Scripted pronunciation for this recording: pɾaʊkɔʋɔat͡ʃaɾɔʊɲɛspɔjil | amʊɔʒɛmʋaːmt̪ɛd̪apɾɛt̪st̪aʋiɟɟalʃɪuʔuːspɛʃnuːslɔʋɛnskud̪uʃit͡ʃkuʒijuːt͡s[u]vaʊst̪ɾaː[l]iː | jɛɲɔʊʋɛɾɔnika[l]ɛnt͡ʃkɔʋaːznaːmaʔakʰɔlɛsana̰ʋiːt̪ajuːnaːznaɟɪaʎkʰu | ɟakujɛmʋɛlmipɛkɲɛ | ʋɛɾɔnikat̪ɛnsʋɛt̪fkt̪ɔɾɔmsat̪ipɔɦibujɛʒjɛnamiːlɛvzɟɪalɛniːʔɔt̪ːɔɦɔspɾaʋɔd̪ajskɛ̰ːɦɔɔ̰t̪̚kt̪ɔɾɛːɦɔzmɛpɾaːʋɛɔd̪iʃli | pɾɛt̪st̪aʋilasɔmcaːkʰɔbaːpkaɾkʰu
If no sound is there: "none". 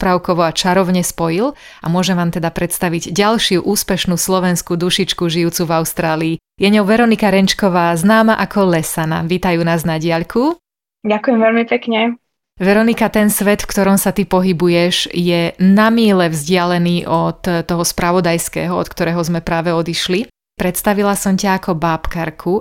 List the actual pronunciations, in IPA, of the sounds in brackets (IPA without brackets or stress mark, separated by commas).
u, l, ɾ